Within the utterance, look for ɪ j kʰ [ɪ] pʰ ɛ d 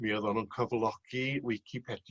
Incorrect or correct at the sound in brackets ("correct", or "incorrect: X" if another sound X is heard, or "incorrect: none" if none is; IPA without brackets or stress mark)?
incorrect: i